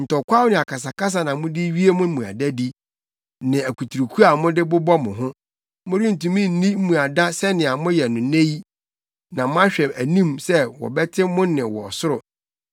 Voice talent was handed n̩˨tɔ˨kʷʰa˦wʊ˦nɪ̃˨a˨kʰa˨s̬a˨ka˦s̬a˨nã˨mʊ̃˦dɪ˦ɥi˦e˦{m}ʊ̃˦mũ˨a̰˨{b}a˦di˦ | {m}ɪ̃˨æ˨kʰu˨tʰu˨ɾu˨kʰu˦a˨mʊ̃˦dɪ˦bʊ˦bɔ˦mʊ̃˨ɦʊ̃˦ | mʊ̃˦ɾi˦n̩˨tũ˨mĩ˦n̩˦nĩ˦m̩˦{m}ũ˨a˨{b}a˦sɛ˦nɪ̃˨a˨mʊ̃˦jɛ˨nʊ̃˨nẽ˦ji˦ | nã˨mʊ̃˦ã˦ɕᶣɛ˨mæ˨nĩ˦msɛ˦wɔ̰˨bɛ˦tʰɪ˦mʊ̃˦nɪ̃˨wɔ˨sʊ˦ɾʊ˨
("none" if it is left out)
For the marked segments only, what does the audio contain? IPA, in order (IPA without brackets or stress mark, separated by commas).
m, d, n, m, d